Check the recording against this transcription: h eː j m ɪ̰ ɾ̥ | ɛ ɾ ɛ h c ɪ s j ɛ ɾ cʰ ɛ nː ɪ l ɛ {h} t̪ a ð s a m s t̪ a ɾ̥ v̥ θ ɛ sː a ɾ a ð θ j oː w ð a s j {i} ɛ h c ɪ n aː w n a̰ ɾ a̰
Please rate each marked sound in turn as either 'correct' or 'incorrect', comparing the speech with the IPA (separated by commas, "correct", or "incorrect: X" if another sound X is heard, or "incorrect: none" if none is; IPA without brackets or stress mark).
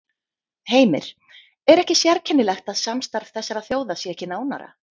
incorrect: x, incorrect: ɛ